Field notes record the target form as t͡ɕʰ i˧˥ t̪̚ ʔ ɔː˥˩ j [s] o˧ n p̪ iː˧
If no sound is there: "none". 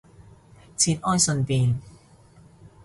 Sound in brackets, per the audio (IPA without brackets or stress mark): s